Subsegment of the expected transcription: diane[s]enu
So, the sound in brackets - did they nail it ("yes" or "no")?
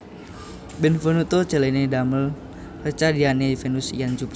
no